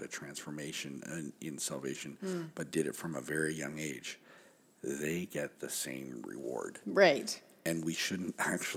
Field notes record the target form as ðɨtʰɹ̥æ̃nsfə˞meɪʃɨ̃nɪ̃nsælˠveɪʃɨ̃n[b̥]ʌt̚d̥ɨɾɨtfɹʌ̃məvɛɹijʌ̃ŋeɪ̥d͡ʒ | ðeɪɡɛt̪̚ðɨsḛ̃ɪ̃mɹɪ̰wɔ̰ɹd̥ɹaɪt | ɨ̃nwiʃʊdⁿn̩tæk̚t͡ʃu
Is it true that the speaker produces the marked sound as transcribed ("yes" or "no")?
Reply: yes